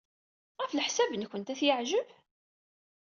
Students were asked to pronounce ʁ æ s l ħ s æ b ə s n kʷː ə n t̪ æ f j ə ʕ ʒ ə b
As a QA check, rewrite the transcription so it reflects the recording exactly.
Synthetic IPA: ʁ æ f l ħ s æ b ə n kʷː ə n t̪ æ θ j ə ʕ ʒ ə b